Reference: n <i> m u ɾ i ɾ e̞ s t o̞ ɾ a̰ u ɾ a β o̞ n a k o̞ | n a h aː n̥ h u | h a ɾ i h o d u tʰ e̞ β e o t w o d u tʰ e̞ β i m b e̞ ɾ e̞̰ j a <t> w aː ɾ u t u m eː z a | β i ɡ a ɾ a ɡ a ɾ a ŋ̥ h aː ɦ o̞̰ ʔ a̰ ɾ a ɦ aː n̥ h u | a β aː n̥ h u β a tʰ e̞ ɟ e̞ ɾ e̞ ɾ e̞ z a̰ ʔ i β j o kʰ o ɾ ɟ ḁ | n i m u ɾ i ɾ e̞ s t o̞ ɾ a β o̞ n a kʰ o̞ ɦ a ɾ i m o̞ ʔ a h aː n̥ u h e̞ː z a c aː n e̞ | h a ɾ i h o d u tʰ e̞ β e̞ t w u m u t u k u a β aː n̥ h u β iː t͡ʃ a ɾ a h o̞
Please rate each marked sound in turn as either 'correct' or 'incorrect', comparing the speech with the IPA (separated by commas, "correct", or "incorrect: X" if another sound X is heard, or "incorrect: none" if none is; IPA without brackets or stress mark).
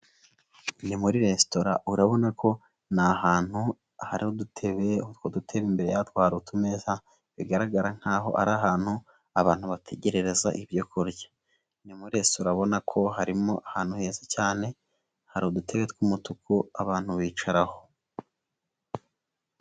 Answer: correct, correct